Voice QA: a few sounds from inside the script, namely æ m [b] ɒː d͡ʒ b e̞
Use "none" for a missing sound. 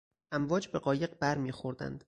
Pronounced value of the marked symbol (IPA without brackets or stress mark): v